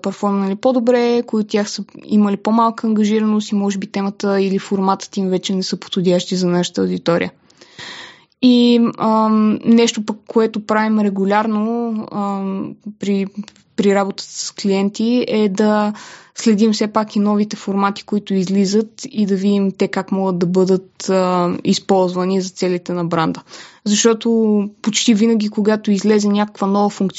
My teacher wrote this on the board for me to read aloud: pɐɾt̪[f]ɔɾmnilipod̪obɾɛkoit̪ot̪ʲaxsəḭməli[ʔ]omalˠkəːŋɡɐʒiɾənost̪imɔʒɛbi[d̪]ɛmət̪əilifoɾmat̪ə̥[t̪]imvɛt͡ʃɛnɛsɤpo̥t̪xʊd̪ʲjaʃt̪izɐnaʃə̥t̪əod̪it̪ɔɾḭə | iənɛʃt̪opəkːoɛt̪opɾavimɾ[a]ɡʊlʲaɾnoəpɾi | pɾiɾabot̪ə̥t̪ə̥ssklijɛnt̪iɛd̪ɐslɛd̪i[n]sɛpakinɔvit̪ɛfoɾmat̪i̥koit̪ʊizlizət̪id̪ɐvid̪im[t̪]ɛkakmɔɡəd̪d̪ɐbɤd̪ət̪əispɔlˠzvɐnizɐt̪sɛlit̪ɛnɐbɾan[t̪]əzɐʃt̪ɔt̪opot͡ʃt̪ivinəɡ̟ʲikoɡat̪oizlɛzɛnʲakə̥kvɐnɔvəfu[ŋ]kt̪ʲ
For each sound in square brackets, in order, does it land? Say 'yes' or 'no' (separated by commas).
yes, no, no, yes, no, no, yes, no, yes